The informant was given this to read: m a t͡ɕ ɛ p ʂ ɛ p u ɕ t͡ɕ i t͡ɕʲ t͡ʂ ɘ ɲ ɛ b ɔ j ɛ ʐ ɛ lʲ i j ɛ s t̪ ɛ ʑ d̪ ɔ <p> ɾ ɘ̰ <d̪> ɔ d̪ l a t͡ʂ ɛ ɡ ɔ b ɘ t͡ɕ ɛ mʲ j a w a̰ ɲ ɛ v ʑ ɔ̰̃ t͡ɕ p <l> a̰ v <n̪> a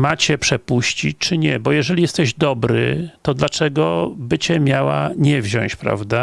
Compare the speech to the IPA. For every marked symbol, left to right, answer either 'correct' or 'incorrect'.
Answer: incorrect: b, incorrect: t̪, incorrect: ɾ, incorrect: d̪

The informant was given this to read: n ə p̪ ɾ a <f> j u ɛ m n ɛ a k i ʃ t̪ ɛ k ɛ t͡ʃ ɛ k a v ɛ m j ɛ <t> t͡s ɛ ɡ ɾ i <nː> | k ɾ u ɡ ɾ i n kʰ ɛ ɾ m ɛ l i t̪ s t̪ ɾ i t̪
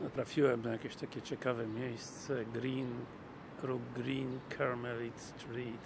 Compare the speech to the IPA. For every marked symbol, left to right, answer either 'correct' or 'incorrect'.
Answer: correct, incorrect: s, incorrect: n

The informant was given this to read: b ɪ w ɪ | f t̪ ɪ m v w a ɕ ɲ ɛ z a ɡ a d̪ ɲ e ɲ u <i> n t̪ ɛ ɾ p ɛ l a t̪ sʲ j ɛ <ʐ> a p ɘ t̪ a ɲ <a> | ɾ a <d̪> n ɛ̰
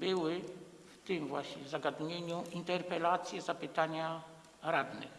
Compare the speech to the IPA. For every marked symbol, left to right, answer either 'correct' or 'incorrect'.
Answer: correct, incorrect: z, correct, correct

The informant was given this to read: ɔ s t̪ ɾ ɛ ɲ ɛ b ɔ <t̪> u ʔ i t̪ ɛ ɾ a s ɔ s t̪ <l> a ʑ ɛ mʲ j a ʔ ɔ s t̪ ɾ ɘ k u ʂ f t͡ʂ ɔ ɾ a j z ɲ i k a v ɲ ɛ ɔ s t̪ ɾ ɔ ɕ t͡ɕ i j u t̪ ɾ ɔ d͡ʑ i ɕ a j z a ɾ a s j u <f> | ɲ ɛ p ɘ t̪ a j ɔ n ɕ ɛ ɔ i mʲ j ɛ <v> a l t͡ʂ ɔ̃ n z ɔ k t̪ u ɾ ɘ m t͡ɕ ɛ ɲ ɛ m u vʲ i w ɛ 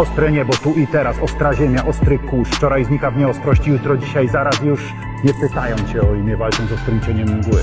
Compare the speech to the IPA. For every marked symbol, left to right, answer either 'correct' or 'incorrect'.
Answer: correct, incorrect: ɾ, incorrect: ʂ, correct

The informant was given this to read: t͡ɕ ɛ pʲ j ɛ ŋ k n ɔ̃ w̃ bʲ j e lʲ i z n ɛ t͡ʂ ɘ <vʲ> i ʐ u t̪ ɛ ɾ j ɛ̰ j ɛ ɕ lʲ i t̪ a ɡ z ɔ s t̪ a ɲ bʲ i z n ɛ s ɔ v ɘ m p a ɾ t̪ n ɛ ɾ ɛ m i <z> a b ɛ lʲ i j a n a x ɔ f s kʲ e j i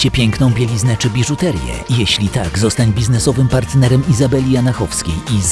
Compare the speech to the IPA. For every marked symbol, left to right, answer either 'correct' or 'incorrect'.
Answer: incorrect: bʲ, correct

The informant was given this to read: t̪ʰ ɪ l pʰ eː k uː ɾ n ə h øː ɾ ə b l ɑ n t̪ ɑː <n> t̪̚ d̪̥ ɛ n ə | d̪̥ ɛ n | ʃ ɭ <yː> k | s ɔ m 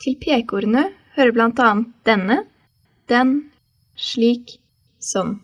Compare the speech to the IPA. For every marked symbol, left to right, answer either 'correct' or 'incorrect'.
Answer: correct, incorrect: iː

